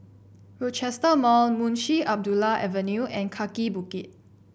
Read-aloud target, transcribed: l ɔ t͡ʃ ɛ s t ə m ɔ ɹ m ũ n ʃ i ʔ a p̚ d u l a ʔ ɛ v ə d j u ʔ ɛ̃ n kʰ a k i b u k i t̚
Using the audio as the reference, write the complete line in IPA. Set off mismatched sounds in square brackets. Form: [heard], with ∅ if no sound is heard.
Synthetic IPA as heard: [ɹ] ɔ t͡ʃ ɛ s t ə m ɔ [l] m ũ n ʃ i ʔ a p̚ d u l a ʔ ɛ v ə [n] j u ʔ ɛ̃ n kʰ a k i b u k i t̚

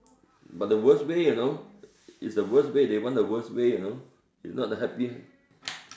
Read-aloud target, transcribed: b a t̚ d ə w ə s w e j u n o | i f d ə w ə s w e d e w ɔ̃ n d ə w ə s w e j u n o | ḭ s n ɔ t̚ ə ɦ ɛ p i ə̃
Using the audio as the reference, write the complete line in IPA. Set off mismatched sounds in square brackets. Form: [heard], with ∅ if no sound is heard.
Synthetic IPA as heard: b a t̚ d ə w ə s w e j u n o | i [s] d ə w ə s w e d e w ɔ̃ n d ə w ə s w e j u n o | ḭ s n ɔ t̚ ə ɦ ɛ p i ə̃

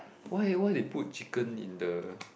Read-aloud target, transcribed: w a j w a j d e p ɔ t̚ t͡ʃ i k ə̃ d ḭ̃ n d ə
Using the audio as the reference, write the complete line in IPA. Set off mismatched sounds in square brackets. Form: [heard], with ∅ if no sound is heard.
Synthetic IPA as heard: w a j w a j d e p [u] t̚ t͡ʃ i k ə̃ [n] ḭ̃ n d ə

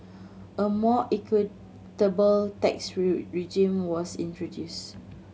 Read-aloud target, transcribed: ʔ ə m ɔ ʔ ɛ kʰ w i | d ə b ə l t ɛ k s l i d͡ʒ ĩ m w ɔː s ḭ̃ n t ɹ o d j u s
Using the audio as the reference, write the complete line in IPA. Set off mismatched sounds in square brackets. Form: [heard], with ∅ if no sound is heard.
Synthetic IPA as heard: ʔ ə m ɔ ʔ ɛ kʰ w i | [t] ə b ə l t ɛ k s [ɹ] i d͡ʒ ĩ m w [ɔ] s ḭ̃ n t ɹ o d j u s

